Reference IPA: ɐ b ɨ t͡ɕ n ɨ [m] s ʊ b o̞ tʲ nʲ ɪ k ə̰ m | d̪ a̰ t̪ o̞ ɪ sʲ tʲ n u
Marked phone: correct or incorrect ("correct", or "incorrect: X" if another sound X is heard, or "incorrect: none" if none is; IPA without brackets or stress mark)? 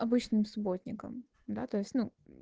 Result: correct